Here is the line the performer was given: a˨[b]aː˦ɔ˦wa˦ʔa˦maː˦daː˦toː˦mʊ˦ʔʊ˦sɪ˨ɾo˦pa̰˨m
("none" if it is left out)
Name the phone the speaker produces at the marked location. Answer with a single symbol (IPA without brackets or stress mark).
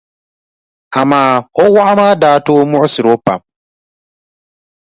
m